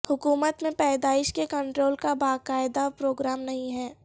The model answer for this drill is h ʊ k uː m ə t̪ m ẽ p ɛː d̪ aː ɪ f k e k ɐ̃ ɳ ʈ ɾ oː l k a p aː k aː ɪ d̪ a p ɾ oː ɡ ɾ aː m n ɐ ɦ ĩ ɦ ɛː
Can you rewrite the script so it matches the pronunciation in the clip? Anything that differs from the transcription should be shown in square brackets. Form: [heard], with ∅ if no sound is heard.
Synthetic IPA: h ʊ k uː m ə t̪ m ẽ p ɛː d̪ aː ɪ [ʃ] k e k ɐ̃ ɳ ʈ ɾ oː l k a [b] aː k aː ɪ d̪ a p ɾ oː ɡ ɾ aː m n ɐ ɦ ĩ ɦ ɛː